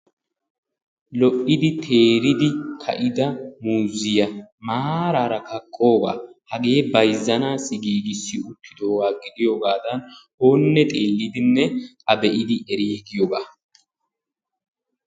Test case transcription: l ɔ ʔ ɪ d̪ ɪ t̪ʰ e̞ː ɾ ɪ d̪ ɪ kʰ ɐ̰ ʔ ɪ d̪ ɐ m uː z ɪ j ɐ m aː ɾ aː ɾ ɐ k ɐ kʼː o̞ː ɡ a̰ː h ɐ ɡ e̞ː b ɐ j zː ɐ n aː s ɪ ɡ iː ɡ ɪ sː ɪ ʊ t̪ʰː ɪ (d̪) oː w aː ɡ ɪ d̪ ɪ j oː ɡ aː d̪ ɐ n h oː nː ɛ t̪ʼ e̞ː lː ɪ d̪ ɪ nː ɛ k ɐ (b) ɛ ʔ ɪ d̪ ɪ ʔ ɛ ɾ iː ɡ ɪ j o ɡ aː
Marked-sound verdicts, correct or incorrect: correct, correct

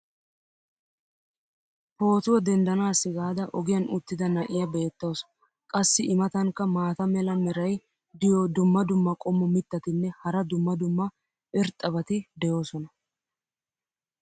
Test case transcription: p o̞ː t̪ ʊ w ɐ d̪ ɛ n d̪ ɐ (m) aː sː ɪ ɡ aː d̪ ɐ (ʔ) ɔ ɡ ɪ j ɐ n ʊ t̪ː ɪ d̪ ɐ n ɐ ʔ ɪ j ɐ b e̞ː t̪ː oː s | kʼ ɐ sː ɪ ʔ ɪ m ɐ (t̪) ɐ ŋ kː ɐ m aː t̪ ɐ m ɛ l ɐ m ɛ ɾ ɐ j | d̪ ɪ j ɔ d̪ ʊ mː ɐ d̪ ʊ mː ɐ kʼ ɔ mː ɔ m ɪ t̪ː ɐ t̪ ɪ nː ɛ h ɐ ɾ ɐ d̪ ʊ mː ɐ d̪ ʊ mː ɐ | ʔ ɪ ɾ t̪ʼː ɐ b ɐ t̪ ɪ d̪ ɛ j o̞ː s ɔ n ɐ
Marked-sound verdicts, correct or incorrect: incorrect: n, correct, correct

